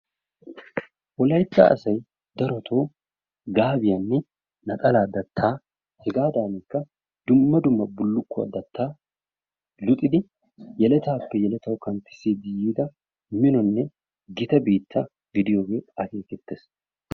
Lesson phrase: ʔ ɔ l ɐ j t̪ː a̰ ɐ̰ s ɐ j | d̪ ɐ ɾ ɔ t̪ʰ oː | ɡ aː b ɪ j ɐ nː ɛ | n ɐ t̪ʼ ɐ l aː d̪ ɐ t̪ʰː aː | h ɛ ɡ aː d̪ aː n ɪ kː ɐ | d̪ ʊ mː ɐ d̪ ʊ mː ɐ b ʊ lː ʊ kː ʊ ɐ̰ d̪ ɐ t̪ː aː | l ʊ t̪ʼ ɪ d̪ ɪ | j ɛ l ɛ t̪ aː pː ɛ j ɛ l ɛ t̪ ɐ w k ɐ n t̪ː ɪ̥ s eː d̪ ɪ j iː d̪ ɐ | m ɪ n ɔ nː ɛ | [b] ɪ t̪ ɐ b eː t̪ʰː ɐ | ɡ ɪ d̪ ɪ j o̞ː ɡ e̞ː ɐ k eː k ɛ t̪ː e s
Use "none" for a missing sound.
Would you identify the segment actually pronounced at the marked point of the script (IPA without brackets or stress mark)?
ɡ